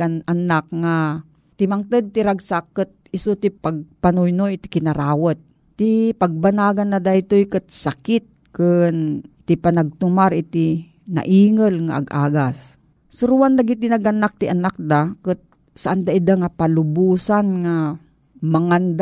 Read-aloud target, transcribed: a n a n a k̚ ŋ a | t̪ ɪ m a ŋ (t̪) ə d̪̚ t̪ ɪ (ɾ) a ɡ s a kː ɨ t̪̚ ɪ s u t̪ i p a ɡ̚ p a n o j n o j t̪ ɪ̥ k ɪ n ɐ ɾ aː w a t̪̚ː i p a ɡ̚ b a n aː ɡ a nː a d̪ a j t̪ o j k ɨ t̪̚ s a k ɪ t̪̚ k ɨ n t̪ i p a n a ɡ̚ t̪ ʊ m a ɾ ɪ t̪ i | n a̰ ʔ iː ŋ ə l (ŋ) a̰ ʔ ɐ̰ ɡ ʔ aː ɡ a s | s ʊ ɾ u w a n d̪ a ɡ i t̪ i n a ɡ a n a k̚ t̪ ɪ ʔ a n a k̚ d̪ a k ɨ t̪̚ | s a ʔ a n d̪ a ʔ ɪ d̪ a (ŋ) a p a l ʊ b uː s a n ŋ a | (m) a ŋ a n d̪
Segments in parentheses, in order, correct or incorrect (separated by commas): correct, correct, correct, correct, correct